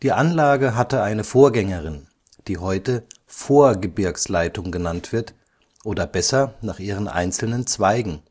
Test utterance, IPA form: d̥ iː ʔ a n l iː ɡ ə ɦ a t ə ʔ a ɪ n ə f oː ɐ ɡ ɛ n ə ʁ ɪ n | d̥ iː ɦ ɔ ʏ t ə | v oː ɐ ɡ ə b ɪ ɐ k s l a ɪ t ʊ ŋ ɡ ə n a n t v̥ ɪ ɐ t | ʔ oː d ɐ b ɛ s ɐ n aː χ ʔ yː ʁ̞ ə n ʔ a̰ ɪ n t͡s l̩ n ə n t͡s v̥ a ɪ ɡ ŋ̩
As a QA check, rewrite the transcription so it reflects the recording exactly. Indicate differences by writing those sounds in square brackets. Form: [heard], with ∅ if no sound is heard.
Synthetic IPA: d̥ iː ʔ a n l [aː] ɡ ə ɦ a t ə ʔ a ɪ n ə f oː ɐ ɡ ɛ [ŋ] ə ʁ ɪ n | d̥ iː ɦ ɔ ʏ t ə | [f] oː ɐ ɡ ə b ɪ ɐ k s l a ɪ t ʊ ŋ ɡ ə n a n t v̥ ɪ ɐ t | ʔ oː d ɐ b ɛ s ɐ n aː χ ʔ [iː] ʁ̞ ə n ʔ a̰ ɪ n t͡s l̩ n ə n t͡s v̥ a ɪ ɡ ŋ̩